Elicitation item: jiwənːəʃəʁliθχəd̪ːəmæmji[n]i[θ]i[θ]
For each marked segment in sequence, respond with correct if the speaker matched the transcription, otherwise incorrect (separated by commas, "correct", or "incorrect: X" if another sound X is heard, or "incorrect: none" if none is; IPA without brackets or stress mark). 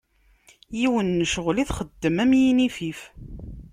correct, incorrect: f, incorrect: f